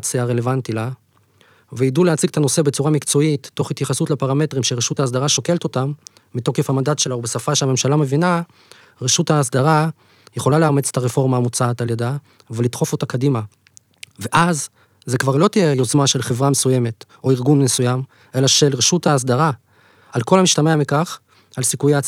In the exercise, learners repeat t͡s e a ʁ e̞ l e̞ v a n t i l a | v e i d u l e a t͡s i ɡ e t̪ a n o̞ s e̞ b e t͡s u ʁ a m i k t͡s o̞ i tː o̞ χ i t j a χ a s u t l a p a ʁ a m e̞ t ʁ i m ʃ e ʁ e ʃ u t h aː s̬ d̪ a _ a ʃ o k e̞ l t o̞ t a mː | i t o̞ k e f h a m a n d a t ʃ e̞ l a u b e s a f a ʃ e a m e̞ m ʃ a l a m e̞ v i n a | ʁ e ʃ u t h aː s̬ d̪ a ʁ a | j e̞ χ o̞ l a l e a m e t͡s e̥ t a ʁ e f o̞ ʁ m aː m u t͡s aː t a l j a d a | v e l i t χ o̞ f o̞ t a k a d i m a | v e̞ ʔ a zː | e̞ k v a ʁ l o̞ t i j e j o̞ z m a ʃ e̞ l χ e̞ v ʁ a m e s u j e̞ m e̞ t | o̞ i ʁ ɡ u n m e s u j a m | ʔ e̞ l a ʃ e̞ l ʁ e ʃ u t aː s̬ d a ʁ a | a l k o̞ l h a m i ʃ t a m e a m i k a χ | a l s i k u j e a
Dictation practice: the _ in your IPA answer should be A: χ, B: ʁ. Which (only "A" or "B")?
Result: B